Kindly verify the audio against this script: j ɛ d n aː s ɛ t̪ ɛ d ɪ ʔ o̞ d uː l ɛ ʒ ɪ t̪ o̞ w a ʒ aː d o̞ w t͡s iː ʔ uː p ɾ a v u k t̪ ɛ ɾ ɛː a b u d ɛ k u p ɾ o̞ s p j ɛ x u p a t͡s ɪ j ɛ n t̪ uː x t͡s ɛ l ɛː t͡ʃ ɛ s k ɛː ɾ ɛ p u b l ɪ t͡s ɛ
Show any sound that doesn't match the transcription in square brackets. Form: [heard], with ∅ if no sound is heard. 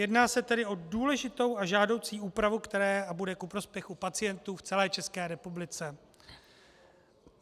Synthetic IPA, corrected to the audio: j ɛ d n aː s ɛ t̪ ɛ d ɪ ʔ o̞ d uː l ɛ ʒ ɪ t̪ o̞ w a ʒ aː d o̞ w t͡s iː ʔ uː p ɾ a v u k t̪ ɛ ɾ ɛː a b u d ɛ k u p ɾ o̞ s p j ɛ x u p a t͡s ɪ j ɛ n t̪ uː [f] t͡s ɛ l ɛː t͡ʃ ɛ s k ɛː ɾ ɛ p u b l ɪ t͡s ɛ